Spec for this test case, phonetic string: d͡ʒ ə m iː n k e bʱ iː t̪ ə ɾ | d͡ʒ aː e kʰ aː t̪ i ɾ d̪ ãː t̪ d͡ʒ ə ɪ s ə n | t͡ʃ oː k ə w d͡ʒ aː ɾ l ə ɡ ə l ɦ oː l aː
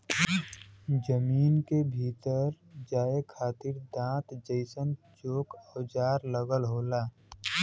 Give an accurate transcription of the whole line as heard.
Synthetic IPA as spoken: d͡ʒ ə m iː n k e bʱ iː t̪ ə ɾ | d͡ʒ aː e kʰ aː t̪ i ɾ d̪ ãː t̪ d͡ʒ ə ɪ s ə n | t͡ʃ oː k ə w d͡ʒ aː ɾ l ə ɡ ə l ɦ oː l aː